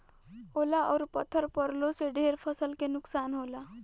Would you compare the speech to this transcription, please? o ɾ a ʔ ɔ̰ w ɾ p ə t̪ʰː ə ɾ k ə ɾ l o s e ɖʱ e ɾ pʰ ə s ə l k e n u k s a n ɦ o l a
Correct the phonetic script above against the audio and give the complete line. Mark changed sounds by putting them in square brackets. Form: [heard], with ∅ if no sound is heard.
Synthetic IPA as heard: o [l] a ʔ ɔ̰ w ɾ p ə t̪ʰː ə ɾ [p] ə ɾ l o s e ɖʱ e ɾ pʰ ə s ə l k e n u k s a n ɦ o l a